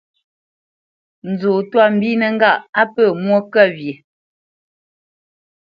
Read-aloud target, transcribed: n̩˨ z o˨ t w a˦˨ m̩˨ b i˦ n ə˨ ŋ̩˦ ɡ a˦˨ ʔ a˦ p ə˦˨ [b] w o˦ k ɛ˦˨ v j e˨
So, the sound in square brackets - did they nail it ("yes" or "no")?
no